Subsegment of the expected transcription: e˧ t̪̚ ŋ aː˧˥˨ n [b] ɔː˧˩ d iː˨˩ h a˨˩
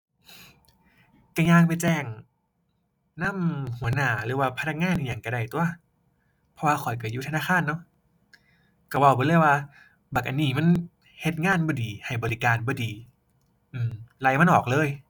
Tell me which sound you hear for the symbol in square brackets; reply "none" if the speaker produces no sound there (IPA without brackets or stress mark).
b